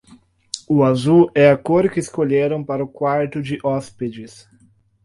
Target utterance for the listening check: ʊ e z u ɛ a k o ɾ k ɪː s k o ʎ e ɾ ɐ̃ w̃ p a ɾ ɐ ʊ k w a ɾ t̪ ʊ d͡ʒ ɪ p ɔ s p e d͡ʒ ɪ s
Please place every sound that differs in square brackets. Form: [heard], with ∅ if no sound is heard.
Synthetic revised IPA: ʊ [a] z u ɛ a k o ɾ k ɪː s k o ʎ e ɾ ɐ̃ w̃ p a ɾ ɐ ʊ k w a ɾ t̪ ʊ d͡ʒ ɪ [ʔ] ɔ s p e d͡ʒ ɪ s